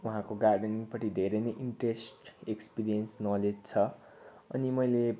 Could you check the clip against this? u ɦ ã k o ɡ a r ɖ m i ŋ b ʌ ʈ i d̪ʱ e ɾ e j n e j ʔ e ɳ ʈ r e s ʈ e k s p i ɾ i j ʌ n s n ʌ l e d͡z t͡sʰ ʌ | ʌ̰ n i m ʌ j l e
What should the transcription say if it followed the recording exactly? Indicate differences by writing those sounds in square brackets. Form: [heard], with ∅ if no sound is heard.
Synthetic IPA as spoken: u ɦ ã k o ɡ a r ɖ [n] i ŋ [p] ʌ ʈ i d̪ʱ e ɾ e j n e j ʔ [i] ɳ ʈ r e s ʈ e k s p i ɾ i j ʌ n s n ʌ l e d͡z t͡sʰ ʌ | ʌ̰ n i m ʌ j l e